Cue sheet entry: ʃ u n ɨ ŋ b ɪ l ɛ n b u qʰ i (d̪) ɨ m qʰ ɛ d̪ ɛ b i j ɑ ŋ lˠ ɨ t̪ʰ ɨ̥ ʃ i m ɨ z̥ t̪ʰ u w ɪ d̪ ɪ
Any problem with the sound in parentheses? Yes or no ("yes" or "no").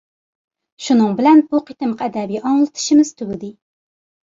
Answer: yes